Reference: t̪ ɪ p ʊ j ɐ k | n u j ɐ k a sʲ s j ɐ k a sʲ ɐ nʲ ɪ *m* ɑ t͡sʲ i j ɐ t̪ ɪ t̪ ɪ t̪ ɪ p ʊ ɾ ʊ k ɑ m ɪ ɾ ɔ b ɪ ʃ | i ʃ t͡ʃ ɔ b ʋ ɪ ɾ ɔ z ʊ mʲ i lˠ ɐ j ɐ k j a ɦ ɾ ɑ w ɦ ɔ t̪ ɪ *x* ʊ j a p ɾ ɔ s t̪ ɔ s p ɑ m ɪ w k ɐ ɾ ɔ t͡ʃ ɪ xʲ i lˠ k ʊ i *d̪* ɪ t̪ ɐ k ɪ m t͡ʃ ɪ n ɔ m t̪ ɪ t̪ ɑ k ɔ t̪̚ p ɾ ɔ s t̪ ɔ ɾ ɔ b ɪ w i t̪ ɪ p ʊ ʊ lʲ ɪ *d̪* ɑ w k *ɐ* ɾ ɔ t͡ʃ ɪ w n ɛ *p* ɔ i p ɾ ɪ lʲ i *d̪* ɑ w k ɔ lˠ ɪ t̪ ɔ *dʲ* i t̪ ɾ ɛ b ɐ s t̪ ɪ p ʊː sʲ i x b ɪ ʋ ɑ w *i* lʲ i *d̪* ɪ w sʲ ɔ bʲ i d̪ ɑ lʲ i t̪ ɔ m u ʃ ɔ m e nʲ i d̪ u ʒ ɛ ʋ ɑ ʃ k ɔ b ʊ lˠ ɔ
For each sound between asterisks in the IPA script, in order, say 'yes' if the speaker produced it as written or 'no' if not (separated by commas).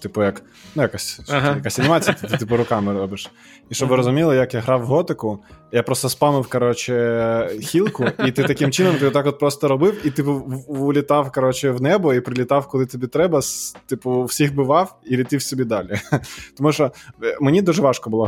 yes, no, no, no, yes, no, no, no, yes, no